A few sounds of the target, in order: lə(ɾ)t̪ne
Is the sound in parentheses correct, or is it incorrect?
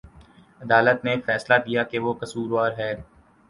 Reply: incorrect